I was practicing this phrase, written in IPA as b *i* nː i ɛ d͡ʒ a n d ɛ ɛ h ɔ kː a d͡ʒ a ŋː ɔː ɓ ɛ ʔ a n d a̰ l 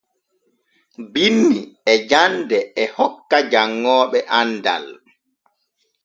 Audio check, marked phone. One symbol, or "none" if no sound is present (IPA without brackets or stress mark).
i